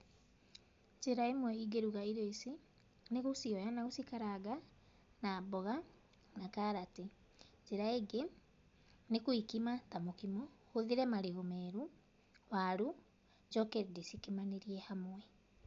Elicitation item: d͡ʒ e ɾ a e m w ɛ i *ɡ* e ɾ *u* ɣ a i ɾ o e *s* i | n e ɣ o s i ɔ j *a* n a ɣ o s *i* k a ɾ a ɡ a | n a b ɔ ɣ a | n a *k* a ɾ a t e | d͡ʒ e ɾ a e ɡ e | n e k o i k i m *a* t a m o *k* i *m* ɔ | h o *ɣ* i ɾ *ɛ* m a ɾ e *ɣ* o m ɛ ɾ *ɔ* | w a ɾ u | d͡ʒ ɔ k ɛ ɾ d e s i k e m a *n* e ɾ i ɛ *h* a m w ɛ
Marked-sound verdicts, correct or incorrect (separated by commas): correct, correct, correct, correct, correct, correct, correct, correct, correct, incorrect, correct, correct, incorrect, correct, correct